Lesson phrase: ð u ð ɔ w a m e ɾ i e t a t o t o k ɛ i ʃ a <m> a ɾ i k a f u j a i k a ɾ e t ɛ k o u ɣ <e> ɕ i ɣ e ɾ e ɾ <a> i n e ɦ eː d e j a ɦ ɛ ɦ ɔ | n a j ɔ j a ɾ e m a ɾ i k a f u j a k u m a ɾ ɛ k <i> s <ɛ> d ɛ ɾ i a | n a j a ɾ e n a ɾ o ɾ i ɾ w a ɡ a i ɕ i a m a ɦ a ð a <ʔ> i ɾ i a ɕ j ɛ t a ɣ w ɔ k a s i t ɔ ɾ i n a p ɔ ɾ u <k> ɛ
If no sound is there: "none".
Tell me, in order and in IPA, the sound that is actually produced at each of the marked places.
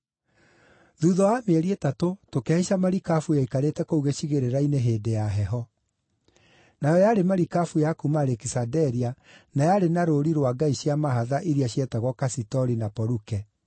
m, e, a, i, a, ʔ, k

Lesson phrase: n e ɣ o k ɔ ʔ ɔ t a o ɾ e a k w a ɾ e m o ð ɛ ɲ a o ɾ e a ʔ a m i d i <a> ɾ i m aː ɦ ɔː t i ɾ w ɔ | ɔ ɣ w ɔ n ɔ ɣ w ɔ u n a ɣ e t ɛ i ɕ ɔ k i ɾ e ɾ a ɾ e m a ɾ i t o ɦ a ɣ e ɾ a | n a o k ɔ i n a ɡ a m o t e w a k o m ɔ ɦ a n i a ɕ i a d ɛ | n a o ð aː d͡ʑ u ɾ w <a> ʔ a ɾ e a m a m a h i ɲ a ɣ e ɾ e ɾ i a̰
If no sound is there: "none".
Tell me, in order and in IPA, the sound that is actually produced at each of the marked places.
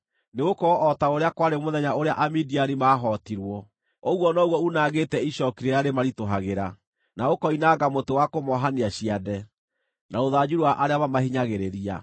a, a

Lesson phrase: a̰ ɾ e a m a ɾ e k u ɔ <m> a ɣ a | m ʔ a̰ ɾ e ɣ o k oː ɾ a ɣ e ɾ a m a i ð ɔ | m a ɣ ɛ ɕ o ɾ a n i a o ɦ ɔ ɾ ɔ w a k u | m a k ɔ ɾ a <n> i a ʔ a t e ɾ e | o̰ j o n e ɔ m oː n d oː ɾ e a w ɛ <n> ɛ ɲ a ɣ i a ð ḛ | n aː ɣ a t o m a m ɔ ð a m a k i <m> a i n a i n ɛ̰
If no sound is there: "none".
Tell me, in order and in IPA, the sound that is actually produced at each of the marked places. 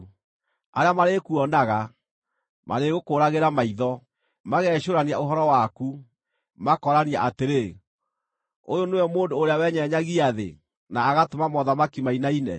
n, n, ɲ, m

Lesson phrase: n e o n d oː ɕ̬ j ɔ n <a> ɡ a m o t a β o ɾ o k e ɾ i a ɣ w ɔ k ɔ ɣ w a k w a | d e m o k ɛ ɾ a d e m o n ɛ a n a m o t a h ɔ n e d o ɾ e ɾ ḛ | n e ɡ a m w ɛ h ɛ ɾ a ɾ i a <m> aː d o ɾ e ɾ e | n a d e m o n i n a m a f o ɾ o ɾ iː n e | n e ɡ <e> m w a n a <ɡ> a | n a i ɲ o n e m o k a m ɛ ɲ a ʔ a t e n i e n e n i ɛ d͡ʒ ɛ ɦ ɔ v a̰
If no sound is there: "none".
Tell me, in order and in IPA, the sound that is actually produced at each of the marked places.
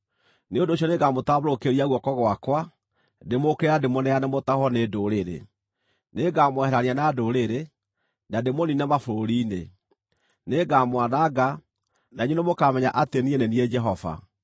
e, n, a, ɡ

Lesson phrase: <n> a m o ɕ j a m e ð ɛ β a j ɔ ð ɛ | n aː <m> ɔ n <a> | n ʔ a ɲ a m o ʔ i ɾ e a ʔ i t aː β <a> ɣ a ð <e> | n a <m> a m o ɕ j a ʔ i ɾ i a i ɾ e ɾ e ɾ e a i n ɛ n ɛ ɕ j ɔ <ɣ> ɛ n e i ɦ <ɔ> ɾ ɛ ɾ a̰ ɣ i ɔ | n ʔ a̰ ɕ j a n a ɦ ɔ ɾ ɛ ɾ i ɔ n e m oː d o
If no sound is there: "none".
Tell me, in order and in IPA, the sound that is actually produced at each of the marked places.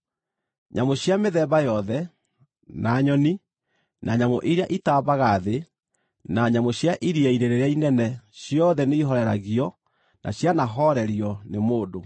ɲ, ɲ, i, a, e, ɲ, ð, ɔ

